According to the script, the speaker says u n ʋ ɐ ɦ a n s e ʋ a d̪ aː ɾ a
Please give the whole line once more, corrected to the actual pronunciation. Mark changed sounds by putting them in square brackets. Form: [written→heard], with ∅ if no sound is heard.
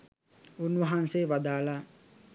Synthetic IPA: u n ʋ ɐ ɦ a n s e ʋ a d̪ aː [ɾ→l] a